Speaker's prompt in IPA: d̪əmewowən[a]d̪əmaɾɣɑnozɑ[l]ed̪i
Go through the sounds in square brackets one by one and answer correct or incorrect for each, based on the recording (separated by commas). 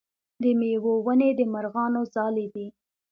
incorrect, correct